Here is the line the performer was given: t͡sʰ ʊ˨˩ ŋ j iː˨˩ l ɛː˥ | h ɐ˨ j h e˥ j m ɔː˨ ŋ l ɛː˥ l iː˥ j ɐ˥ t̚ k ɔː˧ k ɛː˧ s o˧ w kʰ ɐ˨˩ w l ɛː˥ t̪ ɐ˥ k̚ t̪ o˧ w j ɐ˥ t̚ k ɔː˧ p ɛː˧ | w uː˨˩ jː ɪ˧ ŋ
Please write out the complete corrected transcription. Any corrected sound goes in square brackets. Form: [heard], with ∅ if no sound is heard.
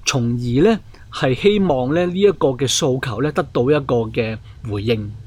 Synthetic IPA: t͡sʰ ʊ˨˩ ŋ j iː˨˩ l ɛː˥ | h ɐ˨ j h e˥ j m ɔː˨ ŋ l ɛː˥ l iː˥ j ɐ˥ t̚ k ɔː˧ k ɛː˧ s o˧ w kʰ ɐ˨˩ w l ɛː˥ t̪ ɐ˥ k̚ t̪ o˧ w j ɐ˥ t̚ k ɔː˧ [k] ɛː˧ | w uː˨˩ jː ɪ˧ ŋ